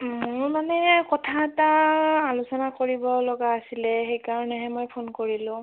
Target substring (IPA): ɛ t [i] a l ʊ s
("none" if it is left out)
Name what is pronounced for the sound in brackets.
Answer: a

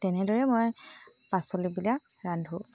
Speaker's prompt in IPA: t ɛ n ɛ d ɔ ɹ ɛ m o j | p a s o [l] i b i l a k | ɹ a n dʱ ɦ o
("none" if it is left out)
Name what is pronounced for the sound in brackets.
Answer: l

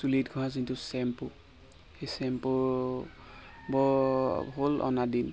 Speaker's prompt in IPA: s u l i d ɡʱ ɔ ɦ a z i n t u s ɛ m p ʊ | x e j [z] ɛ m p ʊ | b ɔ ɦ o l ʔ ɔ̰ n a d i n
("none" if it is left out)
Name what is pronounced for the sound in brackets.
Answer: s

